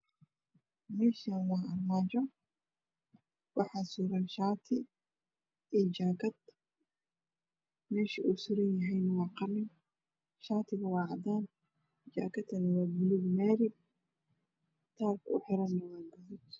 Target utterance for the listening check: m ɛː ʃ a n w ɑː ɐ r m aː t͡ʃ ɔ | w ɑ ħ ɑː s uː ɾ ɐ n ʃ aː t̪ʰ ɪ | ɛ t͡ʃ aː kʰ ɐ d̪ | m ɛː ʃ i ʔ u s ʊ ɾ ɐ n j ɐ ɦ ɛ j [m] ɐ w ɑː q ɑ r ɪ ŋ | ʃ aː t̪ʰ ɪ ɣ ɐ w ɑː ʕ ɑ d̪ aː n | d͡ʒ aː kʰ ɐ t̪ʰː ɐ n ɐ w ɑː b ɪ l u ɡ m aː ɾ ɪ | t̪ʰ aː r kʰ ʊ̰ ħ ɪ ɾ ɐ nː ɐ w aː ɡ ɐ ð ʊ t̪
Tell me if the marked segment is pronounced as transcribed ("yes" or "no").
no